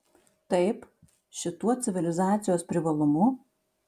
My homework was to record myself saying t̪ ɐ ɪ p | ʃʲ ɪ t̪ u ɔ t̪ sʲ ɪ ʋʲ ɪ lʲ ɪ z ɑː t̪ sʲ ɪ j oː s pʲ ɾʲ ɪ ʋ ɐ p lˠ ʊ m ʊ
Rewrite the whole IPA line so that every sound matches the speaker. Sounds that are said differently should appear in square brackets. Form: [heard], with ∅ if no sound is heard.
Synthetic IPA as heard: t̪ ɐ ɪ p | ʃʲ ɪ t̪ u ɔ t̪ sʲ ɪ ʋʲ ɪ lʲ ɪ z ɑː t̪ sʲ ɪ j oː s pʲ ɾʲ ɪ ʋ ɐ [∅] lˠ ʊ m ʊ